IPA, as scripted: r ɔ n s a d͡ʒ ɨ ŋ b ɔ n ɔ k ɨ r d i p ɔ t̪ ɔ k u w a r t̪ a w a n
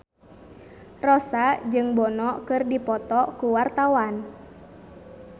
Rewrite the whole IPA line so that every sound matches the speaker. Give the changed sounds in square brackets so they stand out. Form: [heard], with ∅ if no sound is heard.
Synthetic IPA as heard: r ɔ [∅] s a d͡ʒ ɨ ŋ b ɔ n ɔ k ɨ r d i p ɔ t̪ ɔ k u w a r t̪ a w a n